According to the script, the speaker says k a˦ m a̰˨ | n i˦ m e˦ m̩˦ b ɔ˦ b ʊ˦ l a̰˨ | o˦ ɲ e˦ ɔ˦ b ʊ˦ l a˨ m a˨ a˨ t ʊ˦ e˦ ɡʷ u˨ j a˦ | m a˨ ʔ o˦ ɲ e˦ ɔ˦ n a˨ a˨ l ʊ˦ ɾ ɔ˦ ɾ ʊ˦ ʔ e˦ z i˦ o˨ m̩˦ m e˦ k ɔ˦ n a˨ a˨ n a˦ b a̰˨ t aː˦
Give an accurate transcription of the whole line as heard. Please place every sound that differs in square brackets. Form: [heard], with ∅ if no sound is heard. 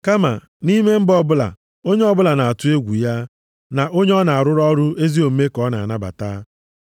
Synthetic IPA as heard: k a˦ m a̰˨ | n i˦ m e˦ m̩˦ b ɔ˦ b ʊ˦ l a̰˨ | o˦ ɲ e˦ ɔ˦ b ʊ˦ l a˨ [n] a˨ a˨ t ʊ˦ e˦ ɡʷ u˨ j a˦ | [n] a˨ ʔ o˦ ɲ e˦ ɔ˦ n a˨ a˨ [ɾ] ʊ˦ ɾ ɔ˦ ɾ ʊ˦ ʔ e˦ z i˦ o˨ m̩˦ m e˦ k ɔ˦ n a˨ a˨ n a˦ b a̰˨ t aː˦